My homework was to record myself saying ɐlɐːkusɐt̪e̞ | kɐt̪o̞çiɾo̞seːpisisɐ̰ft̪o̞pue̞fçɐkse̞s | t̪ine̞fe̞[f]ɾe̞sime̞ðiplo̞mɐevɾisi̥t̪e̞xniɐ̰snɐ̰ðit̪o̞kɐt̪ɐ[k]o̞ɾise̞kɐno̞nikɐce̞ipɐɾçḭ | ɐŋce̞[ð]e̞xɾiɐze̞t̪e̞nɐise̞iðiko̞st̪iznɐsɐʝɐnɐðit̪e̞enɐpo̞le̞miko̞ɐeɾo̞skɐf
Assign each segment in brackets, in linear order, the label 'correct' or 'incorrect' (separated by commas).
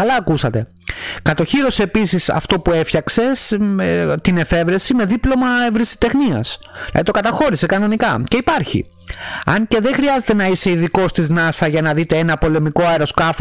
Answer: incorrect, incorrect, correct